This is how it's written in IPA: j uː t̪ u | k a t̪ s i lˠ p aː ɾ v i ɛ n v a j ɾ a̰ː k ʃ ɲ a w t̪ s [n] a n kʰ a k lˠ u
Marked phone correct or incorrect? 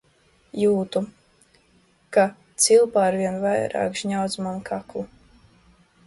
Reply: incorrect: m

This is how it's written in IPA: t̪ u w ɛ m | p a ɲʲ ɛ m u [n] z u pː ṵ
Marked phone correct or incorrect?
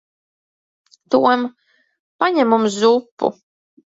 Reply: incorrect: m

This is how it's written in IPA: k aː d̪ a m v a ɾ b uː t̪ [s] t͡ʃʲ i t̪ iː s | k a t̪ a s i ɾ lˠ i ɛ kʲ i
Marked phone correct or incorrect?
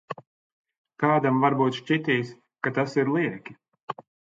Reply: incorrect: ʃ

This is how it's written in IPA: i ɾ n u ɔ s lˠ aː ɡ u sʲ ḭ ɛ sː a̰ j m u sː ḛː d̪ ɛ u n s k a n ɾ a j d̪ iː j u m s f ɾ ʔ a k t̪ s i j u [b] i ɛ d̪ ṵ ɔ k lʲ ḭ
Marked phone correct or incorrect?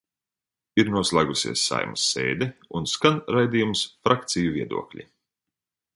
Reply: incorrect: v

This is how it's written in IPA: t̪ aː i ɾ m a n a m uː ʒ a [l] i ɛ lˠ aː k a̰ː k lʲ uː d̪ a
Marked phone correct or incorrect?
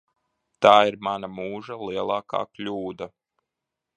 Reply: correct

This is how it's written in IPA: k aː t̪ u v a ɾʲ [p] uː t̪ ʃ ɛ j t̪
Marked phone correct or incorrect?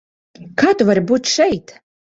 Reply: incorrect: b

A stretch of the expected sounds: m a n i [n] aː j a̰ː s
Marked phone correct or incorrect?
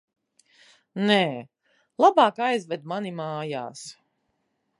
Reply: incorrect: m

